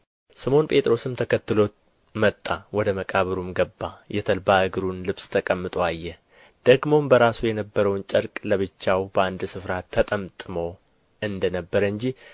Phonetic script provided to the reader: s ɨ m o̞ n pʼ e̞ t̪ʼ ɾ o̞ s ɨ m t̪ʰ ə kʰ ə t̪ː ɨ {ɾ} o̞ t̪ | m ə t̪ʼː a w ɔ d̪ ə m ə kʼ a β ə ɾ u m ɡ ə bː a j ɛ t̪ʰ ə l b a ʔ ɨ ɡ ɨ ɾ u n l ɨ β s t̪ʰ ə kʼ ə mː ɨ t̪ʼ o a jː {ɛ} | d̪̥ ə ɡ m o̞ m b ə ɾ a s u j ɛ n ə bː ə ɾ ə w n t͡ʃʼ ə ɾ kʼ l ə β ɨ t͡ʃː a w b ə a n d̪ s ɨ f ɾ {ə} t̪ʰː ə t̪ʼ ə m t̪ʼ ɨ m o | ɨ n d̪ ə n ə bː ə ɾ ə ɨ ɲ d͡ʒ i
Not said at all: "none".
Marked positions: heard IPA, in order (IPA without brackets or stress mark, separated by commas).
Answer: l, ɛ, a